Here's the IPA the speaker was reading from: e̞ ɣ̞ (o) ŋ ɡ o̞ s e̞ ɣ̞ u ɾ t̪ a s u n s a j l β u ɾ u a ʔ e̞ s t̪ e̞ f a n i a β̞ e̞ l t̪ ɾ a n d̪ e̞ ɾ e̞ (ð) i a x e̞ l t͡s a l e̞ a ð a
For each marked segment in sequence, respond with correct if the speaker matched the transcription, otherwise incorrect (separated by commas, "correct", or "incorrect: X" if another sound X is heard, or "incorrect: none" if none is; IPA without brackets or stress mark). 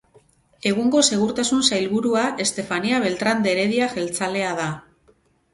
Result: incorrect: u, correct